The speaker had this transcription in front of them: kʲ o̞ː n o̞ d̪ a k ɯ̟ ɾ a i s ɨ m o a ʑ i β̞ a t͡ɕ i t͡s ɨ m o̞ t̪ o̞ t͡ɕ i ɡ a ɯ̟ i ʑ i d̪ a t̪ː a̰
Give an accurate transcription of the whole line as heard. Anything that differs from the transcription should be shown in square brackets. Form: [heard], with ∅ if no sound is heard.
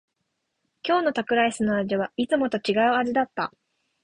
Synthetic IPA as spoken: kʲ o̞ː n o̞ [t̪] a k ɯ̟ ɾ a i s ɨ [n] o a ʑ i β̞ a [∅] i t͡s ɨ m o̞ t̪ o̞ t͡ɕ i ɡ a ɯ̟ [a] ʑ i d̪ a t̪ː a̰